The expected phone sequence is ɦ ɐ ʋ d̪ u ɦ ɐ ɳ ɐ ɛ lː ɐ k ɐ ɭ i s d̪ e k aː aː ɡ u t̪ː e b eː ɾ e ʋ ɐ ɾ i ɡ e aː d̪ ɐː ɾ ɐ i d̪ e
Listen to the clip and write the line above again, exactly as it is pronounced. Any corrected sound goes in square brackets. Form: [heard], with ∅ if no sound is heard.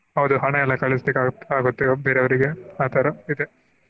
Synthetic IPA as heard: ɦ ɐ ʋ d̪ u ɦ ɐ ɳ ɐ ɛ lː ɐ k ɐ ɭ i s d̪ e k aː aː ɡ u t̪ː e b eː ɾ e ʋ ɐ ɾ i ɡ e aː [t̪] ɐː ɾ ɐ i d̪ e